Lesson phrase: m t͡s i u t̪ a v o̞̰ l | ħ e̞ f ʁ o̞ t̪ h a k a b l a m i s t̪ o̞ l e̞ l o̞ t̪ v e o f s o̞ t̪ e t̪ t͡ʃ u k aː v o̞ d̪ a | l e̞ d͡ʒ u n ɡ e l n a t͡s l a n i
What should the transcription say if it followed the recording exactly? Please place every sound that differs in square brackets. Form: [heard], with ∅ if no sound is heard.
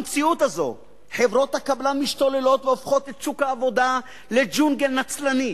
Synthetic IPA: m t͡s i u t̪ a [z] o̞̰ [∅] | ħ e̞ [v] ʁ o̞ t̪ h a k a b l a m i [ʃ] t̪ o̞ l e̞ l o̞ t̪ v e o f [χ] o̞ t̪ e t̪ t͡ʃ u k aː v o̞ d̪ a | l e̞ d͡ʒ u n ɡ e l n a t͡s l a n i